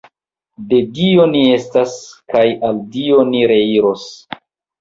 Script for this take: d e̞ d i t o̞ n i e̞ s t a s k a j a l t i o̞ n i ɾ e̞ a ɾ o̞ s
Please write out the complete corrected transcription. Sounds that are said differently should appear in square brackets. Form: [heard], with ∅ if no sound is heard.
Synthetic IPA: d e̞ d i [∅] o̞ n i e̞ s t a s k a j a l [d] i o̞ n i ɾ e̞ [i] ɾ o̞ s